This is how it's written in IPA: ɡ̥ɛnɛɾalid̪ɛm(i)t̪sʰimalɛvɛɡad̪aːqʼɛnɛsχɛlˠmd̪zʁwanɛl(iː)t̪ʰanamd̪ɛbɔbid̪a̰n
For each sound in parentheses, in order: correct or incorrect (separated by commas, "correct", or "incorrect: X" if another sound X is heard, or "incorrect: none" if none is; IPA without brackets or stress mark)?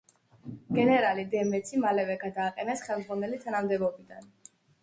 incorrect: ɛ, incorrect: i